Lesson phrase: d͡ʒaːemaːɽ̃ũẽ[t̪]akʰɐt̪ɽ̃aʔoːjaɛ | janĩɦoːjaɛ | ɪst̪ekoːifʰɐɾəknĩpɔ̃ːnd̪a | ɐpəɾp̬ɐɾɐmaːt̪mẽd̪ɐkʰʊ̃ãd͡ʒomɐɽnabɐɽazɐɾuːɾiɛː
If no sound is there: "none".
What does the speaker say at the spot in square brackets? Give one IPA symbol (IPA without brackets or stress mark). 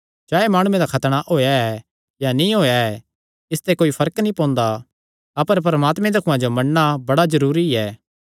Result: d̪